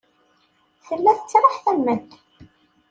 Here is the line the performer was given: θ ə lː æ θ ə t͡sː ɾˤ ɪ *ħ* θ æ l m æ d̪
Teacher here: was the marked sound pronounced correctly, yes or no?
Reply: yes